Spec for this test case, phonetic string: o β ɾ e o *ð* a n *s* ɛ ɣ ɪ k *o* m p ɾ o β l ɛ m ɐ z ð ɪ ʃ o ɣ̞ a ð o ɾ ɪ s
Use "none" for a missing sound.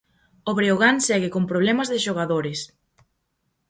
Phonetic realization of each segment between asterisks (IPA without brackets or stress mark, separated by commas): ɣ, s, o